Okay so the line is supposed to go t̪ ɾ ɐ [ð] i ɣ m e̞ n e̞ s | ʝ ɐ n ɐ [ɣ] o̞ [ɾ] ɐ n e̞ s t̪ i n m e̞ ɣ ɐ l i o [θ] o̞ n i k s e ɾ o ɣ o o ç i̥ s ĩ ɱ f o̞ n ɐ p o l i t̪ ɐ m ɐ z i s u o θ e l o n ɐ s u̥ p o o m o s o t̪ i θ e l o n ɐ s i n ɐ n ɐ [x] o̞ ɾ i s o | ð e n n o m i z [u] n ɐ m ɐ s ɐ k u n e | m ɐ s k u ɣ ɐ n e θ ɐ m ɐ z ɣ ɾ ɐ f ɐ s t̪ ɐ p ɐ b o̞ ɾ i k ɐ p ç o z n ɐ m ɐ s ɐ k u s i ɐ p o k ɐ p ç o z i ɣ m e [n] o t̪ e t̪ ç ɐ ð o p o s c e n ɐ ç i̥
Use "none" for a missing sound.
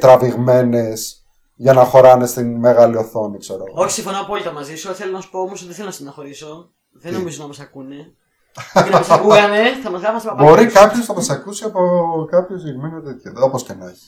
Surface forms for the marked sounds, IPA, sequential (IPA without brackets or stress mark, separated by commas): v, x, ɾ, θ, x, o, n